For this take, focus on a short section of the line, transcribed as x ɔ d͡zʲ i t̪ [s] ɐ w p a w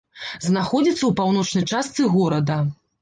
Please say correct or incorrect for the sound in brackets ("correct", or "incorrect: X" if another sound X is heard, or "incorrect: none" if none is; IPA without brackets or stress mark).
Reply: incorrect: sː